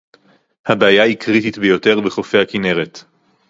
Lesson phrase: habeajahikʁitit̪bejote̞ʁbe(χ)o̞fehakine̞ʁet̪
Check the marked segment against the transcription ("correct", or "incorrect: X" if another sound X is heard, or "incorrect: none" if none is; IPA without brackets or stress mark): correct